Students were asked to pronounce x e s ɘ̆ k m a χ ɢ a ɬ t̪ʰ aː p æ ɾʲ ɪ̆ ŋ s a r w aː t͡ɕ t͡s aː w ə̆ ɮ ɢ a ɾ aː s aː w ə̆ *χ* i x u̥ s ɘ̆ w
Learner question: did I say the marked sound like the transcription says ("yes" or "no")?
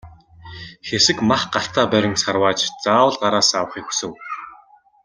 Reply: yes